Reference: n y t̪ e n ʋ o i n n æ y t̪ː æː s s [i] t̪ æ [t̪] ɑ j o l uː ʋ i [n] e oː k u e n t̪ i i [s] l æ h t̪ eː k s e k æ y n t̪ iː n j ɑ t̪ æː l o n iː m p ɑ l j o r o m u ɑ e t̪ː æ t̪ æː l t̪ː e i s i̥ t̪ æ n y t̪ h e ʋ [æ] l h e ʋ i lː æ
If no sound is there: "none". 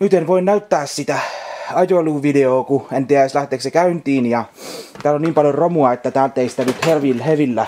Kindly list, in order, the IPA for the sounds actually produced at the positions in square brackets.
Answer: i, none, d, s, i

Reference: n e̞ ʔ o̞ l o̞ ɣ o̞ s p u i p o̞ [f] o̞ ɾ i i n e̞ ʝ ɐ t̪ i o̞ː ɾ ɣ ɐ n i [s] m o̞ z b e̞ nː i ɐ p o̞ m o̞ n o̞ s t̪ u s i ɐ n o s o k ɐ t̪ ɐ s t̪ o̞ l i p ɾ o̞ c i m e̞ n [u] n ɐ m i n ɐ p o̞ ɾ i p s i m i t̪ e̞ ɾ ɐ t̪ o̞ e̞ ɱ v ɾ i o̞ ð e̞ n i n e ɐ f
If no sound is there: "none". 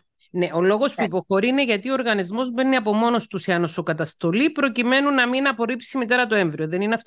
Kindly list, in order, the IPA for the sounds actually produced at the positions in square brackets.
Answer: x, z, u

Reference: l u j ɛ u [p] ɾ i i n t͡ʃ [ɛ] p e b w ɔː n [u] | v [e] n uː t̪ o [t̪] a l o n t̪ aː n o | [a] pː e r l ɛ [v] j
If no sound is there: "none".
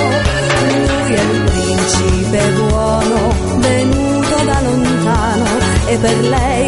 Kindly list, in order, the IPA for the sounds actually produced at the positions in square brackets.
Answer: p, i, o, e, d̪, e, none

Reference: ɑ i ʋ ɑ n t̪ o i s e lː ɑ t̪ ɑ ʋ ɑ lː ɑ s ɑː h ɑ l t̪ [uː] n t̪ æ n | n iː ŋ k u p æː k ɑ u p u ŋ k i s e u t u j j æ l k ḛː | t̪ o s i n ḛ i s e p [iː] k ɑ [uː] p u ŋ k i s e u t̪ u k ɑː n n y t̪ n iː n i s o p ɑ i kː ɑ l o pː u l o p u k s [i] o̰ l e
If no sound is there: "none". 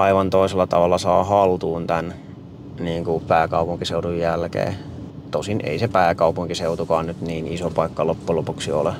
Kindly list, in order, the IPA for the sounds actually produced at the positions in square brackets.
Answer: uː, æː, u, i

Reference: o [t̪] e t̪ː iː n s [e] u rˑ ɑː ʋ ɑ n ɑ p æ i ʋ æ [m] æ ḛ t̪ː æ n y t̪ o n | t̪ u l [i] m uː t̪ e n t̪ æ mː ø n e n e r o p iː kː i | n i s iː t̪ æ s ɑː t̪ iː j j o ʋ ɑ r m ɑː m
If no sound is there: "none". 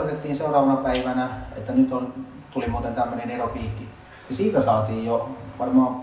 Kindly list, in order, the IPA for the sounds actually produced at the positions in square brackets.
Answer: t̪, e, n, i

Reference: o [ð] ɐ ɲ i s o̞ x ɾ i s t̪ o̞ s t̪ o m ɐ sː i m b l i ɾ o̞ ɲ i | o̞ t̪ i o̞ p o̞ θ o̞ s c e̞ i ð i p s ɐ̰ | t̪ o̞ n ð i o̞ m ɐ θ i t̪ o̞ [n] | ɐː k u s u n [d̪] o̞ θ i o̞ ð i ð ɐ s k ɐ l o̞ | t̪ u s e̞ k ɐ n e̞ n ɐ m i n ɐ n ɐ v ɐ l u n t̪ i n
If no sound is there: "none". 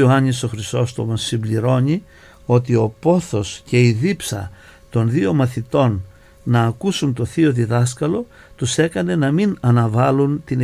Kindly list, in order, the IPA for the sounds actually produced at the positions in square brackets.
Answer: none, nː, t̪

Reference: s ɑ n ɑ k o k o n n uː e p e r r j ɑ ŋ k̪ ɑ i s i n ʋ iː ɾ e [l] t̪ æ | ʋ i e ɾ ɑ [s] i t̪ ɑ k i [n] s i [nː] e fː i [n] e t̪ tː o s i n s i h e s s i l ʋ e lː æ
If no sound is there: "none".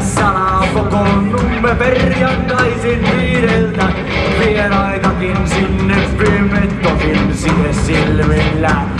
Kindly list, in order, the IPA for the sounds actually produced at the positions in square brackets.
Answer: l, none, n, nː, m

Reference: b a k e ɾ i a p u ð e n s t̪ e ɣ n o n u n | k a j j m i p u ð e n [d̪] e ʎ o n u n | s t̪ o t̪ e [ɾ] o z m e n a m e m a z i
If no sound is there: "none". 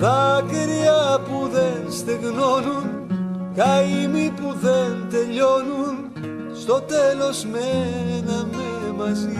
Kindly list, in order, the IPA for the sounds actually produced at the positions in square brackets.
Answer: t̪, l

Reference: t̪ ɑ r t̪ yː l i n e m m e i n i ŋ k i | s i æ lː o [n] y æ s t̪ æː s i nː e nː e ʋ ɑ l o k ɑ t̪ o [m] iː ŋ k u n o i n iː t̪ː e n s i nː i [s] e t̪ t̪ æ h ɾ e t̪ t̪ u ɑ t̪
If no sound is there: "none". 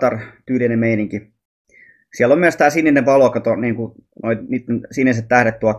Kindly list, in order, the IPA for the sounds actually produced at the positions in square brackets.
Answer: m, n, s

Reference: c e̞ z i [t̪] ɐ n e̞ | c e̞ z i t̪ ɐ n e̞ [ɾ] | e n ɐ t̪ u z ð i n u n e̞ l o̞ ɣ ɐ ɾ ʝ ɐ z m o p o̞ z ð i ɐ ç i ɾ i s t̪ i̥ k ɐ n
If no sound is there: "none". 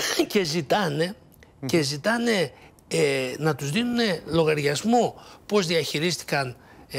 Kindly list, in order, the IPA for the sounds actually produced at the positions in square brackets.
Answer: t̪, none

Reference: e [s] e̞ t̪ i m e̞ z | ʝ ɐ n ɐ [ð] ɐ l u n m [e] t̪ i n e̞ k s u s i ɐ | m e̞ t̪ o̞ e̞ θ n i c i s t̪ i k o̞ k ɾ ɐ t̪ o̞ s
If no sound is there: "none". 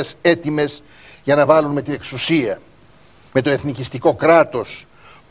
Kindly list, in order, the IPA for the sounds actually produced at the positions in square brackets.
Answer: s, v, e

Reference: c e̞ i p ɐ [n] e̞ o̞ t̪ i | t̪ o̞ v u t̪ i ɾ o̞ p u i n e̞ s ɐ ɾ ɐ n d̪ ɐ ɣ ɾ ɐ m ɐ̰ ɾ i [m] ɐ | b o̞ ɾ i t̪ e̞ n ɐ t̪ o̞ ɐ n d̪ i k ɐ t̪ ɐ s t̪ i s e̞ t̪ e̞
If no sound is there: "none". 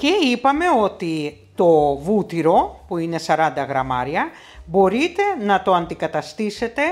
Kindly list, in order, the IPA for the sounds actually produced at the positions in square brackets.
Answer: m, none

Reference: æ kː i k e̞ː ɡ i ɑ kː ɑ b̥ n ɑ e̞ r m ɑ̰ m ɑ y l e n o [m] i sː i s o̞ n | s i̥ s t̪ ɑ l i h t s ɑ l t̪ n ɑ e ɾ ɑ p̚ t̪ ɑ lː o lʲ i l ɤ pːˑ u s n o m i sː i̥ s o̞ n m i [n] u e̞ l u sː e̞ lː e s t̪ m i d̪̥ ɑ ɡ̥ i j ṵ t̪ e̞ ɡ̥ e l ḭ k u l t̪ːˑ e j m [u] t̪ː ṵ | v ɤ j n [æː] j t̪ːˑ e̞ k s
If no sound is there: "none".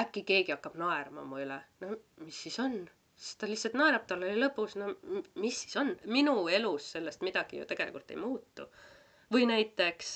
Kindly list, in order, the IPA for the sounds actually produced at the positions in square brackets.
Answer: m, n, uː, æ

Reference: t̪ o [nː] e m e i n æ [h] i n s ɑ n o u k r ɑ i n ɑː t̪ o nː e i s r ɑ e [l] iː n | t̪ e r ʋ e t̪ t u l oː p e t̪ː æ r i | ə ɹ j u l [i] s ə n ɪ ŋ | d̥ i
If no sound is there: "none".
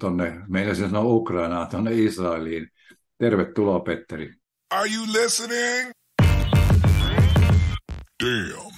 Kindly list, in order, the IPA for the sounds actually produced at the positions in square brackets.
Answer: nː, s, l, ɪ

